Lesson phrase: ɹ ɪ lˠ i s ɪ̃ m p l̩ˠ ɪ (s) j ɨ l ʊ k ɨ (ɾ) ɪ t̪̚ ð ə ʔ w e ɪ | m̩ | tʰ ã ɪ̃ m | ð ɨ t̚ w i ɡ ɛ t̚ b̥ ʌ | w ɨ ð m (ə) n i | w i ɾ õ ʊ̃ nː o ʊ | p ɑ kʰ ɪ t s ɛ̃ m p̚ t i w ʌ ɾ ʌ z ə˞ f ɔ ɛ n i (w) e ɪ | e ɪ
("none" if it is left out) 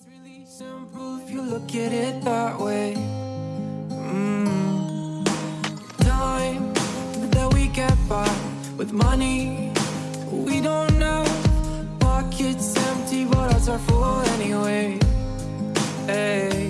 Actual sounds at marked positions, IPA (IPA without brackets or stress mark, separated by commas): f, ɾ, ʌ, w